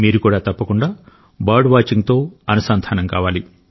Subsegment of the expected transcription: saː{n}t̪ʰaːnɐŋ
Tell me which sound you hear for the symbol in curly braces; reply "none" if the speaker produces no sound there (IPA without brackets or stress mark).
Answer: n